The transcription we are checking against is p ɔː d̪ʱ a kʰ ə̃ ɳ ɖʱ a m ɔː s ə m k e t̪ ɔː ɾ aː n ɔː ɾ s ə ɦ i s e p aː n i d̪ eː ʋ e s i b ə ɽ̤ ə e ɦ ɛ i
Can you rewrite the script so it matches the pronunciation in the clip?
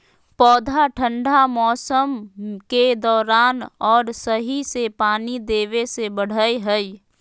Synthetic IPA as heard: p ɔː d̪ʱ a ʈʰ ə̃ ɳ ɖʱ a m ɔː s ə m k e d̪ ɔː ɾ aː n ɔː ɾ s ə ɦ i s e p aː n i d̪ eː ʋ e s e b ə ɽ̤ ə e ɦ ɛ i